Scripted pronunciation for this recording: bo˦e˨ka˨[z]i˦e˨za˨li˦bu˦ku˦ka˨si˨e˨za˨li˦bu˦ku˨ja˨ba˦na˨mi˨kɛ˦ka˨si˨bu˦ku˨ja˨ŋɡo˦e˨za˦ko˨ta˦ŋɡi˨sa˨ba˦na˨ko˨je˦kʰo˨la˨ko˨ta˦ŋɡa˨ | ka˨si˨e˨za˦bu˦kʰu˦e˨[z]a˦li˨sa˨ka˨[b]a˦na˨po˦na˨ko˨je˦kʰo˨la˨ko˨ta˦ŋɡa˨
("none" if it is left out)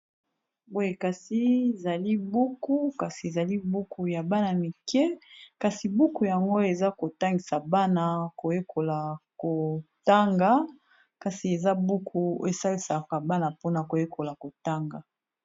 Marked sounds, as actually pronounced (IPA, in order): s, s, b

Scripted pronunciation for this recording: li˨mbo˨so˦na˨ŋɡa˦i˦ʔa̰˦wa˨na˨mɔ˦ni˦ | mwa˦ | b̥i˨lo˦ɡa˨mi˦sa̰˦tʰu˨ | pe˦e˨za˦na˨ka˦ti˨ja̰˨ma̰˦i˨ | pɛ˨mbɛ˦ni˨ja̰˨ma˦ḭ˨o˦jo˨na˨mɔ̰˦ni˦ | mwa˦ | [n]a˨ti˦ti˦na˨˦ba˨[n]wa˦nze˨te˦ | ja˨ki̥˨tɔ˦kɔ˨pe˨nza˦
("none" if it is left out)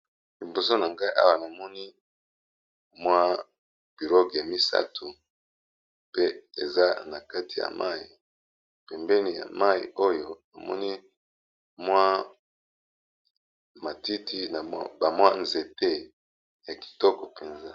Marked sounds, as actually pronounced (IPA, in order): m, m

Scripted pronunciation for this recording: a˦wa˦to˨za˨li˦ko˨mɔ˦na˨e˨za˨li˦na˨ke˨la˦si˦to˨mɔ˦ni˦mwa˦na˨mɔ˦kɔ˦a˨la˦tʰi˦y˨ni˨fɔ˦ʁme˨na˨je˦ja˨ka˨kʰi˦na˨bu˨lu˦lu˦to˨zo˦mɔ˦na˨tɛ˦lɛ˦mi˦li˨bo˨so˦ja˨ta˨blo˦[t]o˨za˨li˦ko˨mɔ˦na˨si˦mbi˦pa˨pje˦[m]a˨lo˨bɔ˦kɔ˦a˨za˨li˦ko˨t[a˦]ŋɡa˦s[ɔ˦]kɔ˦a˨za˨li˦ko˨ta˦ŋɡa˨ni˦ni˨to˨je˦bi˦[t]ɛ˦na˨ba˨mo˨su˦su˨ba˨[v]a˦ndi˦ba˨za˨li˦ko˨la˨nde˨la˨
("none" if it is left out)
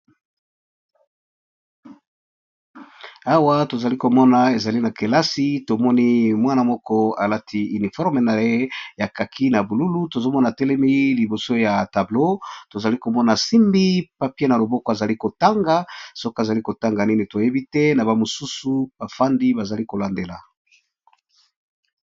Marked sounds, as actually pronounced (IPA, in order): t, n, a˦, o˦, t, f

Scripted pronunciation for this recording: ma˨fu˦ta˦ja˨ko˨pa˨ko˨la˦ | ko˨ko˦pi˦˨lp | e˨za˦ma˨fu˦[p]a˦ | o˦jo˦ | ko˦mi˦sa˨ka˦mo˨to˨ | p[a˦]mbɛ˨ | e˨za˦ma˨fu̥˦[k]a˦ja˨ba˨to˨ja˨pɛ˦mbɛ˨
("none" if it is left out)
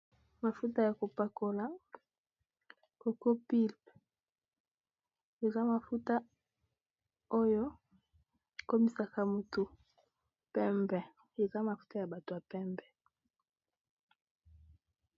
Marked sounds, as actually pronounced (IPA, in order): t, ɛ˦, t

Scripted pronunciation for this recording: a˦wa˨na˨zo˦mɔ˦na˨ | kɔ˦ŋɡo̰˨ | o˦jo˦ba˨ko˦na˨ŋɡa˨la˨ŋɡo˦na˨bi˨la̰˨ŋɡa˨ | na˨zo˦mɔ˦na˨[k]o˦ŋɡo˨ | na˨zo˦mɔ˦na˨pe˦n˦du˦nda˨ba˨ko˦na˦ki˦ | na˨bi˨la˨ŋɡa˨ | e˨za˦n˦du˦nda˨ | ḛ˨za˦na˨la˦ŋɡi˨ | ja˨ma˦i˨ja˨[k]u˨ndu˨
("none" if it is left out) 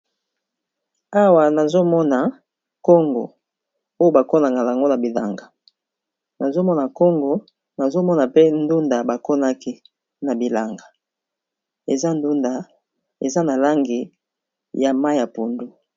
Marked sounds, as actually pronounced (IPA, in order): k, p

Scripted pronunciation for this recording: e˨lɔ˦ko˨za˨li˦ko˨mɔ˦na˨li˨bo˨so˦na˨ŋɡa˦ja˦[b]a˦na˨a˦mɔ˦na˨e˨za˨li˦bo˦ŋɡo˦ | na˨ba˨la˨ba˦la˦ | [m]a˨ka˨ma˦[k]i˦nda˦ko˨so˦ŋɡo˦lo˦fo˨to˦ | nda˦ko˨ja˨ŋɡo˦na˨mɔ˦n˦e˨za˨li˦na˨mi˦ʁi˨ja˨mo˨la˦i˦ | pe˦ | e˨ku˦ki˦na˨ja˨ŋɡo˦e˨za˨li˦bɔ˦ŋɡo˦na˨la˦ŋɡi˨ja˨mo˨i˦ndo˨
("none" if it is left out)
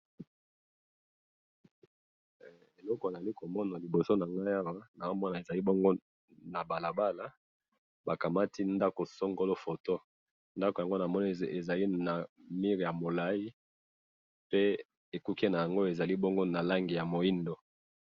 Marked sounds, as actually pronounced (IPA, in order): w, b, t

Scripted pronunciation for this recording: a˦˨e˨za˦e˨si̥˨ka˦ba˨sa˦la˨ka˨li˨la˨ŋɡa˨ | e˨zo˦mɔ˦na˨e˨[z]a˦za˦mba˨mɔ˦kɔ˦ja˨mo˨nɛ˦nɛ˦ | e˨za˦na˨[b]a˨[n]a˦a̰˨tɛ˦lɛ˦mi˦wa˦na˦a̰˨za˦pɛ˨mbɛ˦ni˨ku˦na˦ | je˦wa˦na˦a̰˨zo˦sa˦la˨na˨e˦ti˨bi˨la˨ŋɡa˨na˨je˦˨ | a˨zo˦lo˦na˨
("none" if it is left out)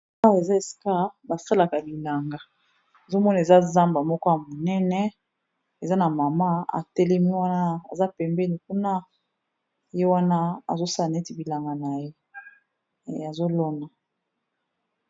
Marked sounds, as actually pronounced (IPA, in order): z, m, m

